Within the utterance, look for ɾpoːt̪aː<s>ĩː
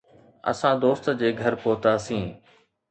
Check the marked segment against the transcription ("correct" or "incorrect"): correct